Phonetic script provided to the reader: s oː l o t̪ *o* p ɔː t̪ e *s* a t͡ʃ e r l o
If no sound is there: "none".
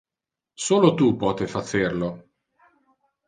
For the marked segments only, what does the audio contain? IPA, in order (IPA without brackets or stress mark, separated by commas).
u, f